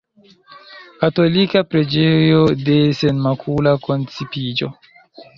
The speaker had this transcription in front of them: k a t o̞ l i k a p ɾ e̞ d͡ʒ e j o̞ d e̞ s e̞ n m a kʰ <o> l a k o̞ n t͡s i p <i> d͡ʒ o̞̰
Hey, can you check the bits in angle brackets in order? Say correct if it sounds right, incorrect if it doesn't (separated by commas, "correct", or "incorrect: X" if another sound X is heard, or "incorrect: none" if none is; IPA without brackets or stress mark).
incorrect: u, correct